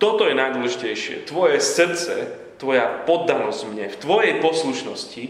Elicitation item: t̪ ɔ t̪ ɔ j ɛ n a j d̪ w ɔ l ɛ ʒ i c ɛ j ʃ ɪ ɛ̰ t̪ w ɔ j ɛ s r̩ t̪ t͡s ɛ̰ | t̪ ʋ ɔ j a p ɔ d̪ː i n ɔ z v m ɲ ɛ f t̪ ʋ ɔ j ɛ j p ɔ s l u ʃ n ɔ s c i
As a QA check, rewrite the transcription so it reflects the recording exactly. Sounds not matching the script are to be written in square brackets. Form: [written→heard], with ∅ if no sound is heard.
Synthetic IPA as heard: t̪ ɔ t̪ ɔ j ɛ n a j d̪ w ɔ l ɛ ʒ i c ɛ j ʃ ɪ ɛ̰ t̪ [w→ʋ] ɔ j ɛ s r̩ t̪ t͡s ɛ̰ | t̪ ʋ ɔ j a p ɔ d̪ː [i→a] n ɔ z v m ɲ ɛ f t̪ ʋ ɔ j ɛ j p ɔ s l u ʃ n ɔ s c i